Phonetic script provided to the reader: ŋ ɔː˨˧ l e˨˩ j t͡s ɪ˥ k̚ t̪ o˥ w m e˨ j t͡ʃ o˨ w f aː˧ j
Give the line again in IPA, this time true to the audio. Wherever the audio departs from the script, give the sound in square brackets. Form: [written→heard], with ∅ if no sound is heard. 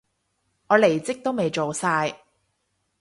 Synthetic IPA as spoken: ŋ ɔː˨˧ l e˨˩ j t͡s ɪ˥ k̚ t̪ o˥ w m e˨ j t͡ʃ o˨ w [f→s] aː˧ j